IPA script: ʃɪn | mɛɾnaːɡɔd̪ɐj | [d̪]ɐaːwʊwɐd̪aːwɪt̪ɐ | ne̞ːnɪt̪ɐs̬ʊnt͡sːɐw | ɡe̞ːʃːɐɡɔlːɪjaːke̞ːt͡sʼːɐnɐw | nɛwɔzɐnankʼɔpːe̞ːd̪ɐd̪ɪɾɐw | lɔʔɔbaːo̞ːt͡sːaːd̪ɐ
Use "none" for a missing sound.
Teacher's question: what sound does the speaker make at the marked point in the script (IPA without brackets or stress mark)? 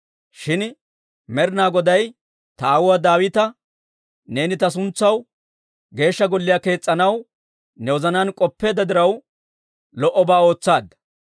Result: t̪